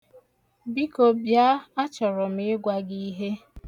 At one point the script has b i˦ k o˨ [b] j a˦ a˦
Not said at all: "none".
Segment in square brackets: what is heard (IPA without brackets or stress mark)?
b